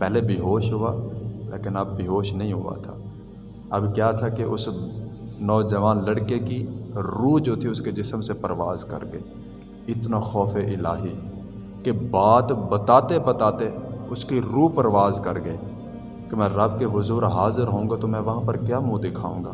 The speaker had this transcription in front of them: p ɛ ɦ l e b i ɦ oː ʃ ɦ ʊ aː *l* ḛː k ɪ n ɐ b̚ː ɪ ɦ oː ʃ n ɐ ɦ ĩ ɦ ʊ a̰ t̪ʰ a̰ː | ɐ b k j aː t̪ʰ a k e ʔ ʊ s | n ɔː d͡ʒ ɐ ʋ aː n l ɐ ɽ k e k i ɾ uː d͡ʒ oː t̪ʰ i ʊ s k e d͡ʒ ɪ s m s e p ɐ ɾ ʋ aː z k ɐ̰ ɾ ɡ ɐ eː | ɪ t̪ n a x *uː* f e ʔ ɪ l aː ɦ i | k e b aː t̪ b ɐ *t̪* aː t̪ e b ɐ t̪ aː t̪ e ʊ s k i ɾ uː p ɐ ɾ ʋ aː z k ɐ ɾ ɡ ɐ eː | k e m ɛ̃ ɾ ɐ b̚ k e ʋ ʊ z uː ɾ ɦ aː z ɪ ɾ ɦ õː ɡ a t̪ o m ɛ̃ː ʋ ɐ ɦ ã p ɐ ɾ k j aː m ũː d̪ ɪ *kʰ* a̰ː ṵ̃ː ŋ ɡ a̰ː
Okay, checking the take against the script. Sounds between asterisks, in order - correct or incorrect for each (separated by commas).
correct, incorrect, correct, correct